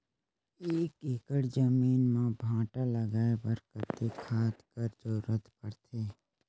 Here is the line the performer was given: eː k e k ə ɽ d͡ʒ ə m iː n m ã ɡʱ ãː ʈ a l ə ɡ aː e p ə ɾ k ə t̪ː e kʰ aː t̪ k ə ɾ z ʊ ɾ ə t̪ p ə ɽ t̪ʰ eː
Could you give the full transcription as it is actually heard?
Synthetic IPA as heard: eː k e k ə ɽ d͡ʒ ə m iː n m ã bʱ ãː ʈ a l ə ɡ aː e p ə ɾ k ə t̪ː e kʰ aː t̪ k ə ɾ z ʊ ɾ ə t̪ p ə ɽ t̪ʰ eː

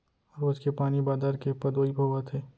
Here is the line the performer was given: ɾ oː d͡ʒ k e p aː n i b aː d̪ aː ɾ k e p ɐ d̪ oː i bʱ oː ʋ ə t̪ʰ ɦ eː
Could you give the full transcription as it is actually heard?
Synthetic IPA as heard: ɾ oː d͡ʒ k e p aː n i b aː d̪ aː ɾ k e p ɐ d̪ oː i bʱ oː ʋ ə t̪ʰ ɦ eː

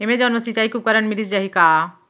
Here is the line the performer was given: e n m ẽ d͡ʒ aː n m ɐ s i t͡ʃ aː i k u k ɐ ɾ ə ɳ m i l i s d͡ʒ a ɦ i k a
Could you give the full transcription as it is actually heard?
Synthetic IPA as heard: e m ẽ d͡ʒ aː n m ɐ s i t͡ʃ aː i k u k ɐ ɾ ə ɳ m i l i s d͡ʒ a ɦ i k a

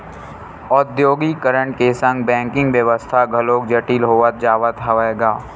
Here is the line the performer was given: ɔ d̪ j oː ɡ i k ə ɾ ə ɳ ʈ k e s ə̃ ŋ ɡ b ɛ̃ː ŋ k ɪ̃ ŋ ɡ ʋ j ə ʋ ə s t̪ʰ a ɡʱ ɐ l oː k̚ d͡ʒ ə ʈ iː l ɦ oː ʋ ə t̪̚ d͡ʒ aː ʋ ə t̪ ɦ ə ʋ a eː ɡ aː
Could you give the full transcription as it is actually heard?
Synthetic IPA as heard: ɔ d̪ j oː ɡ i k ə ɾ ə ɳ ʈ k e s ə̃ ŋ ɡ b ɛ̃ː ŋ k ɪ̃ ŋ ɡ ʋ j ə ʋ ə s t̪ʰ a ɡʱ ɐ l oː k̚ d͡ʒ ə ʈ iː l ɦ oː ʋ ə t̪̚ d͡ʒ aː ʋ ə t̪ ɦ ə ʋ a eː ɡ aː

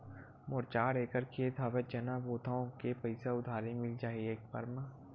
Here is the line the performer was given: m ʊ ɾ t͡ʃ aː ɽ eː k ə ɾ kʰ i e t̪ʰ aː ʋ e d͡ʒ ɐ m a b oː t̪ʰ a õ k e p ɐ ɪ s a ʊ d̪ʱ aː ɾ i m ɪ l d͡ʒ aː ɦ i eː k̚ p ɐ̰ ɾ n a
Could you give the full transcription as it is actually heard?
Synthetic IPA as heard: m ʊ ɾ t͡ʃ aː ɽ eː k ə ɾ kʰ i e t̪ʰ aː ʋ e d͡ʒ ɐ n a b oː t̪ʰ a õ k e p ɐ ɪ s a ʊ d̪ʱ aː ɾ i m ɪ l d͡ʒ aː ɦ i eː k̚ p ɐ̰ ɾ m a

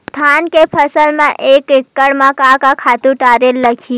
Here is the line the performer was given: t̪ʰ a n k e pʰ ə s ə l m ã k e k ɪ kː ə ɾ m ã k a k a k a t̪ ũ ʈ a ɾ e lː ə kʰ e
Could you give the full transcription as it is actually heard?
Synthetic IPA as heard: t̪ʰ a n k e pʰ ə s ə l m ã ʔ e k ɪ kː ə ɽ m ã k a k a kʰ a t̪ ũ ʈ a ɾ e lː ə kʰ i

